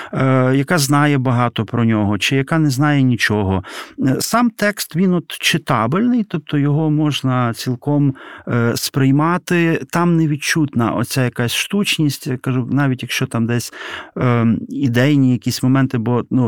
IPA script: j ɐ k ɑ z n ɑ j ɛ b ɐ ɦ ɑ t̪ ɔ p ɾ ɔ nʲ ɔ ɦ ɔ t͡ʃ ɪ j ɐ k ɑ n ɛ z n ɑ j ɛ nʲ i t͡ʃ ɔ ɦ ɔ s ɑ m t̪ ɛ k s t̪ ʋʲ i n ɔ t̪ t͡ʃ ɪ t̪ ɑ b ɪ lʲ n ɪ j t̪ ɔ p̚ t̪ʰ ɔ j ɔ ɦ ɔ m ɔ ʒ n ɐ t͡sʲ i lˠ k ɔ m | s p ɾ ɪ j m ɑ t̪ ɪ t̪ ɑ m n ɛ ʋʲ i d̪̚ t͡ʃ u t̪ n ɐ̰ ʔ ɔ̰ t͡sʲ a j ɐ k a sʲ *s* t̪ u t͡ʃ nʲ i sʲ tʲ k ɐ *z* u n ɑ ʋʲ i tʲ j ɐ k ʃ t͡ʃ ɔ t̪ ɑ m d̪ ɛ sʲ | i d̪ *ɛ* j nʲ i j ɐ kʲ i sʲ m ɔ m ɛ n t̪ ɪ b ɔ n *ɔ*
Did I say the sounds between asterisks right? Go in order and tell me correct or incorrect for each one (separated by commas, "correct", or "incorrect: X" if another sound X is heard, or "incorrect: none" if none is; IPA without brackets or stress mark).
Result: incorrect: ʃ, incorrect: ʒ, correct, incorrect: u